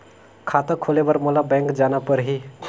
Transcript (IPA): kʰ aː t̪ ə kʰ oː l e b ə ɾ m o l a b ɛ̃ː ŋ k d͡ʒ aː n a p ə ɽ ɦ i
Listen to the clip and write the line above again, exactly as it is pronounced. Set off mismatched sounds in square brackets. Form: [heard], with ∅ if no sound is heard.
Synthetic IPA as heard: kʰ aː t̪ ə kʰ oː l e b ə ɾ m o l a b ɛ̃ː ŋ k d͡ʒ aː n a p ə [ɾ] ɦ i